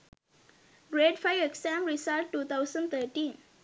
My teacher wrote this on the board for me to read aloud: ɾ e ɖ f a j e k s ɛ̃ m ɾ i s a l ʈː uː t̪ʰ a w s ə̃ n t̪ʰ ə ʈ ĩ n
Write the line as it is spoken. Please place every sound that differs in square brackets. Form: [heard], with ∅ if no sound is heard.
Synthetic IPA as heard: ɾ e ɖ f a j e k s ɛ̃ m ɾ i s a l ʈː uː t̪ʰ a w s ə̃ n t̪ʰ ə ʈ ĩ n